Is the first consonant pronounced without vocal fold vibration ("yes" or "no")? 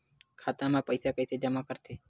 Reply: yes